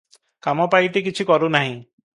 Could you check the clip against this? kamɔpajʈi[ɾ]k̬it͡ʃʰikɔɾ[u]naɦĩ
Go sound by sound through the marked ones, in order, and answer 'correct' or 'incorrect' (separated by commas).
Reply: incorrect, correct